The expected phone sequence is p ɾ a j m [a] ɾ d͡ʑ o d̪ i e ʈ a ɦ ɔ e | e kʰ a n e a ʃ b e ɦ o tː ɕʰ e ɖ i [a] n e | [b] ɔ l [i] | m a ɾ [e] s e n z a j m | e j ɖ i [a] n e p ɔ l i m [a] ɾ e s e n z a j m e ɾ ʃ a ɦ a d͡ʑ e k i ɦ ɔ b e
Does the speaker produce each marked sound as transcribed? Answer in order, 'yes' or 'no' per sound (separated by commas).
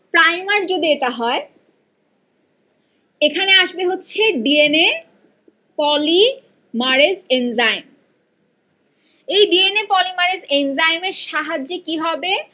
yes, no, no, yes, yes, no, yes